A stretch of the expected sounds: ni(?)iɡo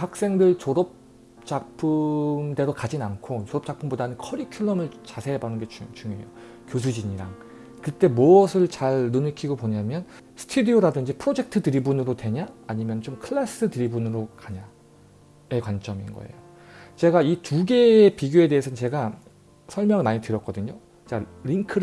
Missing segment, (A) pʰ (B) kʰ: B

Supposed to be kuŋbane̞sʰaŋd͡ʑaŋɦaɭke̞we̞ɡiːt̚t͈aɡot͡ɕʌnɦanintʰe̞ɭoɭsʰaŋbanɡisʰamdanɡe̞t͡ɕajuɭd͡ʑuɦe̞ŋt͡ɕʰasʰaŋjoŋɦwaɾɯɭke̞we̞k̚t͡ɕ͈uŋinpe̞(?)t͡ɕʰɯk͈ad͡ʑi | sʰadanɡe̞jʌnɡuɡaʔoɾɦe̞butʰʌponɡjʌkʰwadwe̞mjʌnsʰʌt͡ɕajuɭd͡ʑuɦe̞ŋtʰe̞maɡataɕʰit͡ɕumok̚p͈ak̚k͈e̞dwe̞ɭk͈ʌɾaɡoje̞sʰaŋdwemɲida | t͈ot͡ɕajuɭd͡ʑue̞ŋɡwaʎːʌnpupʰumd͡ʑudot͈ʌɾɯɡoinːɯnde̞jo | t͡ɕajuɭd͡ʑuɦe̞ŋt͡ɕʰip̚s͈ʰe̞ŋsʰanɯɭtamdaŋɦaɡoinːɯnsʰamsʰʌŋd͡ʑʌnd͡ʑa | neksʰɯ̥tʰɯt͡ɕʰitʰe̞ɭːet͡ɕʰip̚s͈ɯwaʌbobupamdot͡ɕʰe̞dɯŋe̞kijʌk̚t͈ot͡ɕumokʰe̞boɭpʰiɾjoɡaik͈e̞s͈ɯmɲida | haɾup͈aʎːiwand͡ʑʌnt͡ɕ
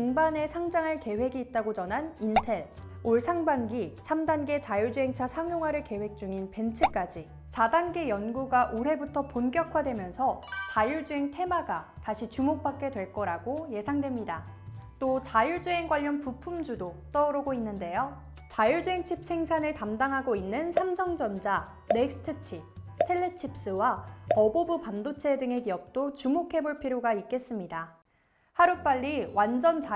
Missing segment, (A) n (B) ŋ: A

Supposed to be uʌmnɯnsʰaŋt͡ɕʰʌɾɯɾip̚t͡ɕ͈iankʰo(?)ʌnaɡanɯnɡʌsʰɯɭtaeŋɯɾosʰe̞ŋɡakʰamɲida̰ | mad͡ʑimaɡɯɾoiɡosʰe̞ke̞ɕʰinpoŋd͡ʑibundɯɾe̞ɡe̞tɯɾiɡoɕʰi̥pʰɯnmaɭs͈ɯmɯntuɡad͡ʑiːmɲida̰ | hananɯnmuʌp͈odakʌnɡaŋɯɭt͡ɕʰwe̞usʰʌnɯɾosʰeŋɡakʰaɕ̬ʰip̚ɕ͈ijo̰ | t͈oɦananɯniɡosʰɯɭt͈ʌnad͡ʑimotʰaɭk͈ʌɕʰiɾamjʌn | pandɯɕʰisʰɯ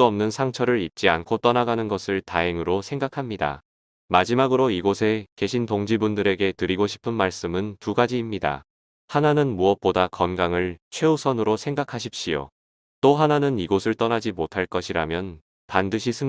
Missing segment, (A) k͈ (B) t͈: B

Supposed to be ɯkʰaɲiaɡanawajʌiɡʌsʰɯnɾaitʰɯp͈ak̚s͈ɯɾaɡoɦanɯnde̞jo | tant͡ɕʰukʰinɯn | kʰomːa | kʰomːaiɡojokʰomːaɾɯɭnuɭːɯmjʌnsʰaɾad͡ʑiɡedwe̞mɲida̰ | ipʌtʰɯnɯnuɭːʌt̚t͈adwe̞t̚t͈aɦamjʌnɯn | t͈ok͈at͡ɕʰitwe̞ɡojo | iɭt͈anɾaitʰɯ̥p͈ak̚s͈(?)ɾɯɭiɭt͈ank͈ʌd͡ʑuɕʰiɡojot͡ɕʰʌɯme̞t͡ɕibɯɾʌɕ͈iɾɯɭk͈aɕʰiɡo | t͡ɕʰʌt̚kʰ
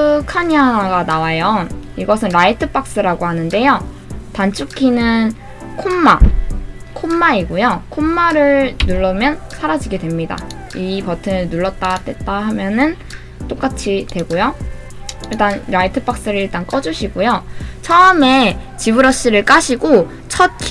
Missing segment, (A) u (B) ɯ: B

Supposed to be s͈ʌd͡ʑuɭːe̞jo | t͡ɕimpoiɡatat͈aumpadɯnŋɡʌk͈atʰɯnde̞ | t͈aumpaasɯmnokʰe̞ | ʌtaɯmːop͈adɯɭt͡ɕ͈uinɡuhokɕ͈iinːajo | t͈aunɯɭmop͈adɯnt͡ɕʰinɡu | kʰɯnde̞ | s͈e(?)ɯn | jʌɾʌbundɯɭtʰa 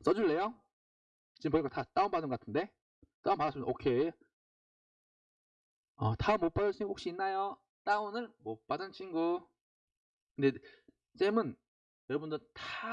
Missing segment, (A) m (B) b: A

